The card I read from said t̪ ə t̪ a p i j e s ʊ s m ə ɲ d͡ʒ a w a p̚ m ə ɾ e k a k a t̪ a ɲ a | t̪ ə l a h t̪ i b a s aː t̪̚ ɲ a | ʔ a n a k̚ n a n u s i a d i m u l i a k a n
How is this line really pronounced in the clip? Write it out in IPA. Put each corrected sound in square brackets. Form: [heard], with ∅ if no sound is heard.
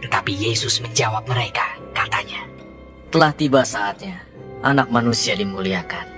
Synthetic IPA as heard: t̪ ə t̪ a p i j e s ʊ s m ə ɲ d͡ʒ a w a p̚ m ə ɾ e k a k a t̪ a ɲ a | t̪ ə l a h t̪ i b a s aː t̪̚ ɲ a | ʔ a n a k̚ [m] a n u s i a d i m u l i a k a n